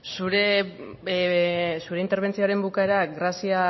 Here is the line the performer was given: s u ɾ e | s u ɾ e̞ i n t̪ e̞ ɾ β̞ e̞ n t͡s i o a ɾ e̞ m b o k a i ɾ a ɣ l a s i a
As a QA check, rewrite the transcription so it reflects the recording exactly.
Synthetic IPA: s u ɾ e | s u ɾ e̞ i n t̪ e̞ ɾ β̞ e̞ n t͡s i o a ɾ e̞ m b u k a e ɾ a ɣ ɾ a s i a